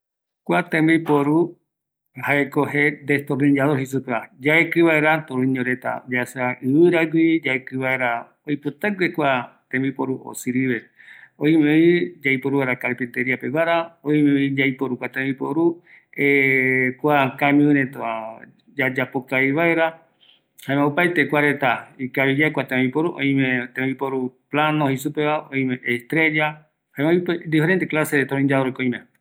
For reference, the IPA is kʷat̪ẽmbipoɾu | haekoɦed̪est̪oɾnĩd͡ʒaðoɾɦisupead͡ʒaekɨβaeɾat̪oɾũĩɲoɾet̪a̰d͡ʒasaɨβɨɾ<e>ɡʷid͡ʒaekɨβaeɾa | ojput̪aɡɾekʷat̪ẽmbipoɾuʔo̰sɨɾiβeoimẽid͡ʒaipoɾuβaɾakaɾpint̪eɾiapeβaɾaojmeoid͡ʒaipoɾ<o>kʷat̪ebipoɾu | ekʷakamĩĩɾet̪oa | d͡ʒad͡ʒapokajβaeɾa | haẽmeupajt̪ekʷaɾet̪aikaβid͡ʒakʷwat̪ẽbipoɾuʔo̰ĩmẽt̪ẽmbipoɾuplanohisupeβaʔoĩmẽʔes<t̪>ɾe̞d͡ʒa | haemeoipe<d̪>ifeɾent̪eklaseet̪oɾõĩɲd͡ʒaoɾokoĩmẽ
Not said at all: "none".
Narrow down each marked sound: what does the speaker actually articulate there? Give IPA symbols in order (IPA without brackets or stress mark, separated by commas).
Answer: a, u, t̪, d̪